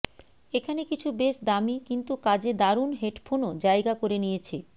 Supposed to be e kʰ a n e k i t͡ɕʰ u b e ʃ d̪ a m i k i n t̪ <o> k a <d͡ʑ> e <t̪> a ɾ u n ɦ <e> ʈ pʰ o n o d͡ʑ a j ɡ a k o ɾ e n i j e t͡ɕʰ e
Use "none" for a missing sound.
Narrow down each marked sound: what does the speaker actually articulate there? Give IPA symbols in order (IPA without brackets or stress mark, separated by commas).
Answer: u, d͡ʑ, d̪, e